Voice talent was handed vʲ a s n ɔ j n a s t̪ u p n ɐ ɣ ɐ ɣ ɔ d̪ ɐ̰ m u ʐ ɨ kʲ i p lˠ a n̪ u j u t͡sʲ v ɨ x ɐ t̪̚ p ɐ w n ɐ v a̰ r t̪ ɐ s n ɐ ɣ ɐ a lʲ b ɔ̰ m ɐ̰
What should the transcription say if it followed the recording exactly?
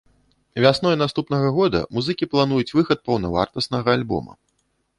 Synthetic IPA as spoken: vʲ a s n ɔ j n a s t̪ u p n ɐ ɣ ɐ ɣ ɔ d̪ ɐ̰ m u z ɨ kʲ i p lˠ a n̪ u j u t͡sʲ v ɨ x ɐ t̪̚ p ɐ w n ɐ v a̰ r t̪ ɐ s n ɐ ɣ ɐ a lʲ b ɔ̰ m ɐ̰